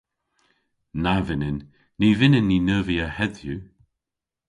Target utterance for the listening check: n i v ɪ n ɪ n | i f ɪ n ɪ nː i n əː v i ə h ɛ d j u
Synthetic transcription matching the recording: n a v ɪ n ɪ nː | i v ɪ n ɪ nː i n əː v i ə h ɛ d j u